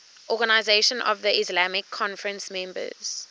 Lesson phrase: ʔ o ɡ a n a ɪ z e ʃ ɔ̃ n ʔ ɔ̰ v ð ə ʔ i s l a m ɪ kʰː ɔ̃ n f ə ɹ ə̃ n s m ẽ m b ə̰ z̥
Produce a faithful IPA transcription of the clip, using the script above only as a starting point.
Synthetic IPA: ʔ ɔ ɡ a n a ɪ z e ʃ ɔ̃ n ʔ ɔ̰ v ð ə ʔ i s l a m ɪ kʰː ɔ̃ n f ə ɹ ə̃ n s m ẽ m b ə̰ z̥